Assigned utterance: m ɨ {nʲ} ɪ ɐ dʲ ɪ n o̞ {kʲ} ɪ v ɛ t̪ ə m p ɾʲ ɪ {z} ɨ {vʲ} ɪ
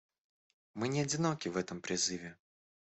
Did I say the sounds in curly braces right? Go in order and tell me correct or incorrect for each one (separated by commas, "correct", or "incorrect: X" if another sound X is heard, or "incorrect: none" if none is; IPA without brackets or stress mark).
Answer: correct, correct, correct, correct